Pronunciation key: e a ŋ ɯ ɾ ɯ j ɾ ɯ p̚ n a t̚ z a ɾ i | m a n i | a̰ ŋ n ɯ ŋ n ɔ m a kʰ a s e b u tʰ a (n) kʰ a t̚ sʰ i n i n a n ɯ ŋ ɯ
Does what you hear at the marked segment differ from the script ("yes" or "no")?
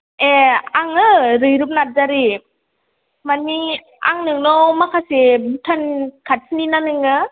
no